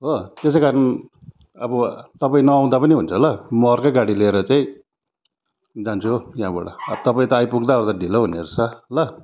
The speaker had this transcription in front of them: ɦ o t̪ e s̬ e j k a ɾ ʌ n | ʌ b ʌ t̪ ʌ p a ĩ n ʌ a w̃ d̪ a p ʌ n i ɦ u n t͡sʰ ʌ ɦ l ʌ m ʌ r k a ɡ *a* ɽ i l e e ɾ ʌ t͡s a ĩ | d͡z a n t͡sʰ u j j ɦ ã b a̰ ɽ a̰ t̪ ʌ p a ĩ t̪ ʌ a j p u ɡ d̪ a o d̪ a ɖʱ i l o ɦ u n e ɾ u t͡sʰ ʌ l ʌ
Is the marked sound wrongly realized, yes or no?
no